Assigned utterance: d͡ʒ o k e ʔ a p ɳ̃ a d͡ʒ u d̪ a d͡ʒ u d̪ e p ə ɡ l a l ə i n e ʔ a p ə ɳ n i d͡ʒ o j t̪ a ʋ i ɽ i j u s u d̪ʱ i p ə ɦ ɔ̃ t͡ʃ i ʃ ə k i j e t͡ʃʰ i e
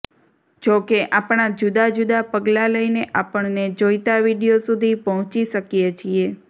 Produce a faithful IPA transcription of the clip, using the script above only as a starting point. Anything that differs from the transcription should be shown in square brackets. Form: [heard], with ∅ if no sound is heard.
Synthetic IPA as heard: d͡ʒ o k e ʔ a p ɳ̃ a d͡ʒ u d̪ a d͡ʒ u d̪ [a] p ə ɡ l a l ə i n e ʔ a p ə ɳ n [e] d͡ʒ o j t̪ a ʋ i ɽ i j [o] s u d̪ʱ i p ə ɦ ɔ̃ t͡ʃ i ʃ ə k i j e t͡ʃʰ i e

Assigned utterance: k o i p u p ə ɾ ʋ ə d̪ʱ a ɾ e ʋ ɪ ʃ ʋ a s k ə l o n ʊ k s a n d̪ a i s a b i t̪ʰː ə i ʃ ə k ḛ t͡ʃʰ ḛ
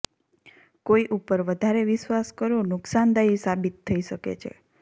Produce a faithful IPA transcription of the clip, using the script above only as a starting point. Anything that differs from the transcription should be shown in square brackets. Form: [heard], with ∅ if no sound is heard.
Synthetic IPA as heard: k o i [ʔ] u p ə ɾ ʋ ə d̪ʱ a ɾ e ʋ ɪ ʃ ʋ a s k ə [ɾ] o n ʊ k s a n d̪ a i s a b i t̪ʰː ə i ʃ ə k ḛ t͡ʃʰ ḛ

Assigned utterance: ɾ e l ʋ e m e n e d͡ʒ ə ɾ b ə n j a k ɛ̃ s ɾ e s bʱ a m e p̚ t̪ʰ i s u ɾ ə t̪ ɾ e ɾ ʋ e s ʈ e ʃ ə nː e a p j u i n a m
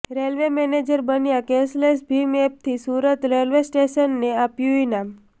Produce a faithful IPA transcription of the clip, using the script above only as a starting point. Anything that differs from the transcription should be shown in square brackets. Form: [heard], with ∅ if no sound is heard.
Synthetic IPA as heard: ɾ e l ʋ e m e n e d͡ʒ ə ɾ b ə n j a k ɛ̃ s [l] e s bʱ [i] m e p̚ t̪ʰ i s u ɾ ə t̪ ɾ e [l] ʋ e s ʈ e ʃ ə nː e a p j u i n a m

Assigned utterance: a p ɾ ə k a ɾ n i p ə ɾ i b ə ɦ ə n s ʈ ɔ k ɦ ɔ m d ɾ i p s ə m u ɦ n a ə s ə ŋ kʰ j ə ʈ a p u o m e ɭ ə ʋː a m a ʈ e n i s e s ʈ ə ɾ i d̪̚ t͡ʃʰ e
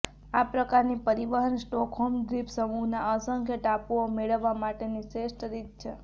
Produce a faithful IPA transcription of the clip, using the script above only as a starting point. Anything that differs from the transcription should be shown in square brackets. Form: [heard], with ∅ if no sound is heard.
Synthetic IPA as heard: a p ɾ ə k a ɾ n i p ə ɾ i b ə ɦ ə n s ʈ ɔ k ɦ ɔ m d ɾ i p s ə m u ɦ n a ə s ə ŋ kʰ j ə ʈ a p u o m e ɭ ə ʋː a m a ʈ e n i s e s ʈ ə ɾ i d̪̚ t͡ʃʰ e

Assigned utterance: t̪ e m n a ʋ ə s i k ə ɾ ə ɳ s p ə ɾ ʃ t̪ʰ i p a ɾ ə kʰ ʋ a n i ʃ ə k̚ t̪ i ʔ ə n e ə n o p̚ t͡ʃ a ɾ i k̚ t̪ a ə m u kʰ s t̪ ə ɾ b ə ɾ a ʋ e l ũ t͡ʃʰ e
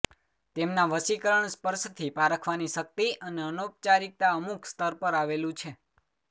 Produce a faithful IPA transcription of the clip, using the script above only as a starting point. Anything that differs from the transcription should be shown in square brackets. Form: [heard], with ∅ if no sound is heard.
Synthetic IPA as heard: t̪ e m n a ʋ ə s i k ə ɾ ə ɳ s p ə ɾ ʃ t̪ʰ i p a ɾ ə kʰ ʋ a n i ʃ ə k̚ t̪ i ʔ ə n e ə n o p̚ t͡ʃ a ɾ i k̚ t̪ a ə m u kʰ s t̪ ə ɾ [p] ə ɾ a ʋ e l ũ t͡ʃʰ e

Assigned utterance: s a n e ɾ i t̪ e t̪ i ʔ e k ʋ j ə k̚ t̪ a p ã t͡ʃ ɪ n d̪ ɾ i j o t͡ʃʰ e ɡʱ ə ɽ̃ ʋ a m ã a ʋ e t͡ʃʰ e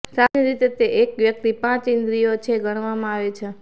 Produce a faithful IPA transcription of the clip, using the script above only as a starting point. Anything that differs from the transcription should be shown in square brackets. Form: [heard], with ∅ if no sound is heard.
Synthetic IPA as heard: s a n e ɾ i t̪ e t̪ [e] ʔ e k ʋ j ə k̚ t̪ [i] p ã t͡ʃ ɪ n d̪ ɾ i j o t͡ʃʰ e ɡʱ ə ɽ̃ ʋ a m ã a ʋ e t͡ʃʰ e

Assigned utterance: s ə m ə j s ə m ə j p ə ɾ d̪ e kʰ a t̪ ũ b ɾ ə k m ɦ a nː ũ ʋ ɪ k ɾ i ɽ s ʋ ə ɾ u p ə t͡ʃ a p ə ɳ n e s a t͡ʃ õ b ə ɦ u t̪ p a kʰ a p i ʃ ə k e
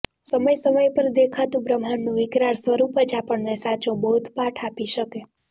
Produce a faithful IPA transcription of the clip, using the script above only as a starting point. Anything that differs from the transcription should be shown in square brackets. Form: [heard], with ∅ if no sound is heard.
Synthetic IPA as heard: s ə m ə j s ə m ə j p ə ɾ d̪ e kʰ a t̪ ũ b ɾ ə [∅] m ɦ a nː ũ ʋ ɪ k ɾ [a] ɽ s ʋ ə ɾ u p ə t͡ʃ a p ə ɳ n e s a t͡ʃ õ b ə ɦ u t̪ p a [ʈʰ] a p i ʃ ə k e

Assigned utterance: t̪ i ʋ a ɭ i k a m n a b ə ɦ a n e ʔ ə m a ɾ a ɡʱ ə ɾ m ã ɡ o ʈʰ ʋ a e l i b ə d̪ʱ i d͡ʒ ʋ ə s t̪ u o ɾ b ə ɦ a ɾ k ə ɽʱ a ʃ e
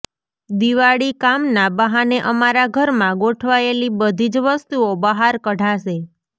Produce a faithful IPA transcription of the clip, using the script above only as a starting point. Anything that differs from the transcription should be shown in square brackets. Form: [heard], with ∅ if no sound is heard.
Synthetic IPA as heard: [d̪] i ʋ a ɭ i k a m n a b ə ɦ a n e ʔ ə m a ɾ a ɡʱ ə ɾ m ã ɡ o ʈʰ ʋ a e l i b ə d̪ʱ i d͡ʒ ʋ ə s t̪ u o [∅] b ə ɦ a ɾ k ə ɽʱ a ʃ e

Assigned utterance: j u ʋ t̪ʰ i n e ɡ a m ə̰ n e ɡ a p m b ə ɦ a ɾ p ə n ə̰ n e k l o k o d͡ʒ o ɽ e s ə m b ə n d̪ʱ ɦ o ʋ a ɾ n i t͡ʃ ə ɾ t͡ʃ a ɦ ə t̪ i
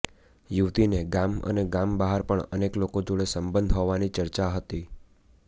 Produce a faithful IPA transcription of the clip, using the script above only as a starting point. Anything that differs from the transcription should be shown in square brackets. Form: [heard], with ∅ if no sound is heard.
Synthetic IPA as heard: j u ʋ [t̪] i n e ɡ a m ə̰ n e ɡ a [∅] m b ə ɦ a ɾ p ə [ɳ] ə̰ n e k l o k o d͡ʒ o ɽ e s ə m b ə n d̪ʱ ɦ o ʋ a [∅] n i t͡ʃ ə ɾ t͡ʃ a ɦ ə t̪ i

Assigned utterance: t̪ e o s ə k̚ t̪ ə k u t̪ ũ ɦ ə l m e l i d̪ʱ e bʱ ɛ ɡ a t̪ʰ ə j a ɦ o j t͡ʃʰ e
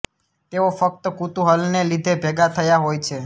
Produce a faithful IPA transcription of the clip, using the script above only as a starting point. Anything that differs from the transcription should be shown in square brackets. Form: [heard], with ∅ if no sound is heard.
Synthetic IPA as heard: t̪ e o [f] ə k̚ t̪ ə k u t̪ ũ ɦ ə l [n] e l i d̪ʱ e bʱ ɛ ɡ a t̪ʰ ə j a ɦ o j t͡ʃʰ e

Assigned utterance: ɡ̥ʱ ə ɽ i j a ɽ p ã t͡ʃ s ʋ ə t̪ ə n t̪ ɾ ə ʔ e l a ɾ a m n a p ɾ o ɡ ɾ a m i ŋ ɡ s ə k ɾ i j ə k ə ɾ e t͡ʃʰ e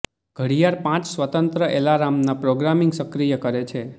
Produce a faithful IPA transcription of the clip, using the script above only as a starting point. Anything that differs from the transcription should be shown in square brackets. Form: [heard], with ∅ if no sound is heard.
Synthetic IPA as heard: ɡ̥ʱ ə ɽ i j a [ɾ] p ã t͡ʃ s ʋ ə t̪ ə n t̪ ɾ ə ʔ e l a ɾ a m n a p ɾ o ɡ ɾ a m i ŋ ɡ s ə k ɾ i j ə k ə ɾ e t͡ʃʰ e

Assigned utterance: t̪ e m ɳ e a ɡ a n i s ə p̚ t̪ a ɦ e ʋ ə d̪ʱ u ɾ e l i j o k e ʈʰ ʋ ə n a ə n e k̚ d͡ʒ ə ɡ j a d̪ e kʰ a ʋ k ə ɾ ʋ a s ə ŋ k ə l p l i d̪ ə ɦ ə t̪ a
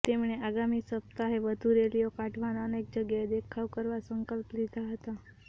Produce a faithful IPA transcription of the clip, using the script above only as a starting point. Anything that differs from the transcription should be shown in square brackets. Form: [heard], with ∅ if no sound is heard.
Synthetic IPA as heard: t̪ e m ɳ e a ɡ a [m] i s ə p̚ t̪ a ɦ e ʋ ə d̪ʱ u ɾ e l i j o k [a] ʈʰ ʋ [a] n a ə n e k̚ d͡ʒ ə ɡ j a d̪ e kʰ a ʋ k ə ɾ ʋ a s ə ŋ k ə l p l i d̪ [a] ɦ ə t̪ a

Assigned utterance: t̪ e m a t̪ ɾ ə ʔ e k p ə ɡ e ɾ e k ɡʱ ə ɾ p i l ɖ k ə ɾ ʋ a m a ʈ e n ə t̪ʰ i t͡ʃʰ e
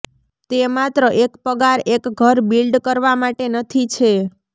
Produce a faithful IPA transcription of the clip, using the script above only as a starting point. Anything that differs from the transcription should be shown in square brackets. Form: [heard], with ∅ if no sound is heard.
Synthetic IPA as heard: t̪ e m a t̪ ɾ ə ʔ e k p ə ɡ [a] ɾ e k ɡʱ ə ɾ [b] i l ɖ k ə ɾ ʋ a m a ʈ e n ə t̪ʰ i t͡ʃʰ e

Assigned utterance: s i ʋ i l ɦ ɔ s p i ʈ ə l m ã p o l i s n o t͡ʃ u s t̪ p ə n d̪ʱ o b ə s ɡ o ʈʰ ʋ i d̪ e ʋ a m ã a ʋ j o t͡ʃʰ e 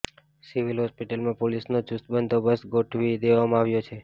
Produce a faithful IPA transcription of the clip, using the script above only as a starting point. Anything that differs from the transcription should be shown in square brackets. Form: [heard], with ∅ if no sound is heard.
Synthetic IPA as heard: s i ʋ i l ɦ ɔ s p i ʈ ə l m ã p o l i s n o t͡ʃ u s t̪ [b] ə n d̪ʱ o b ə s ɡ o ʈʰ ʋ i d̪ e ʋ a m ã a ʋ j o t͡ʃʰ e

